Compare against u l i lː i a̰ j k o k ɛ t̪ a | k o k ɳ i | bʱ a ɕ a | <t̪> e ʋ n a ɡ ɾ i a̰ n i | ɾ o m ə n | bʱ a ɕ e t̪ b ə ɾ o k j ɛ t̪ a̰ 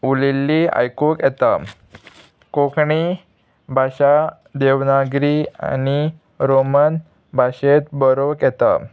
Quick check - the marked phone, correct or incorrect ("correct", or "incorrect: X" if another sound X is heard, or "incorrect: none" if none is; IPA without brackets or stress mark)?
incorrect: d̪